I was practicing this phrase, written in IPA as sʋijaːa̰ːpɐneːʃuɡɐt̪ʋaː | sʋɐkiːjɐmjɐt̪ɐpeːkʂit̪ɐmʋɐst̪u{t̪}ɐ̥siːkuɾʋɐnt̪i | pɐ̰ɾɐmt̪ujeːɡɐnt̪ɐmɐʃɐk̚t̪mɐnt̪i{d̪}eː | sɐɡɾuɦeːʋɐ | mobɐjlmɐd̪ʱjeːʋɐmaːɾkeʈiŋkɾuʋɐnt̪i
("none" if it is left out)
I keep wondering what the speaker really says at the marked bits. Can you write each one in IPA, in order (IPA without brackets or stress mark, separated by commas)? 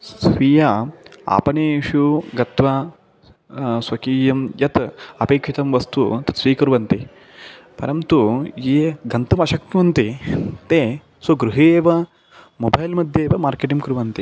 t̪, t̪